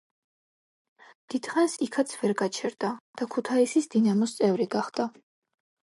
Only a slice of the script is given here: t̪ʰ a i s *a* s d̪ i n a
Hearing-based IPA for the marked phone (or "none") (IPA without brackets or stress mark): i